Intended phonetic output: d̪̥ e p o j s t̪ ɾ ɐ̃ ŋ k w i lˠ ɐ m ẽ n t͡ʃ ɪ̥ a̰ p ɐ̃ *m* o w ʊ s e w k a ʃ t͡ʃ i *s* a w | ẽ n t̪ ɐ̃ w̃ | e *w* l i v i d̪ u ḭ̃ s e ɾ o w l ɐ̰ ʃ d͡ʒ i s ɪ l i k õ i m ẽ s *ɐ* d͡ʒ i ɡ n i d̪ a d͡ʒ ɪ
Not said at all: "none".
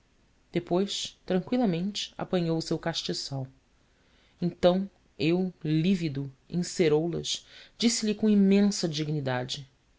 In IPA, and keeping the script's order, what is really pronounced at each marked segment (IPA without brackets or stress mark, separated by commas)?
ɲ, s, w, ɐ